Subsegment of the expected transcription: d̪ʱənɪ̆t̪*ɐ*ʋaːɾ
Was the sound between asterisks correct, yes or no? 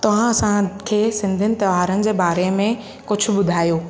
yes